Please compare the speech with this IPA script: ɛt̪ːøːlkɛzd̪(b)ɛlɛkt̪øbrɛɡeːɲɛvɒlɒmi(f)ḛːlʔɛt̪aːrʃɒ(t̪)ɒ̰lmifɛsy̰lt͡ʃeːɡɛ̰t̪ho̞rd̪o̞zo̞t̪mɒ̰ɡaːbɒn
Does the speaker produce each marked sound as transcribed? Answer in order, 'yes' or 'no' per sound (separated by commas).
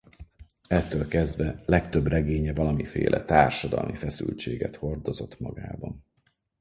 no, yes, no